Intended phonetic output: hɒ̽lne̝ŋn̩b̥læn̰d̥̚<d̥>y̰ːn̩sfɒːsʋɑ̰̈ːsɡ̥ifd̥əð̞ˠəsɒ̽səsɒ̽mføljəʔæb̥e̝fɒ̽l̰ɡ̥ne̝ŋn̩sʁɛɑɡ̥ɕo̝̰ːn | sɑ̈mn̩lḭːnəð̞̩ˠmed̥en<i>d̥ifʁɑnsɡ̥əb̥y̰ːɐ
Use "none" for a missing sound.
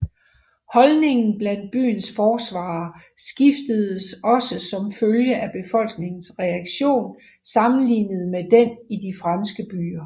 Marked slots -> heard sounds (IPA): b̥, i

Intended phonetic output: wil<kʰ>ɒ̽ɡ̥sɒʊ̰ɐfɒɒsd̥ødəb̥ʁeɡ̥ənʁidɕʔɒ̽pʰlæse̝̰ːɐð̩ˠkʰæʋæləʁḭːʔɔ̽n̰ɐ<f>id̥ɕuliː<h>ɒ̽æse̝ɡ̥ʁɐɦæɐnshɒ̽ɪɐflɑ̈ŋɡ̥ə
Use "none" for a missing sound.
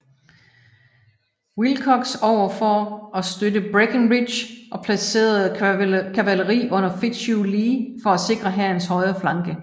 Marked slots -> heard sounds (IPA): kʰ, f, f

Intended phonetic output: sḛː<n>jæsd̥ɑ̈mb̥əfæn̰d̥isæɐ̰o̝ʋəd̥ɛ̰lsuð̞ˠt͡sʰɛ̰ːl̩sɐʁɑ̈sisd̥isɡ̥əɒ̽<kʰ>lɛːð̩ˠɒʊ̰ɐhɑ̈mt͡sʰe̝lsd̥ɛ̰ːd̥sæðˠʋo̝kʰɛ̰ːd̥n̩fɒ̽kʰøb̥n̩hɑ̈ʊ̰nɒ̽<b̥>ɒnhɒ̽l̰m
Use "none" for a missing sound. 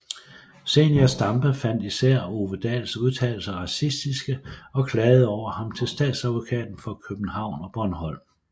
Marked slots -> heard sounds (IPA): n, kʰ, b̥

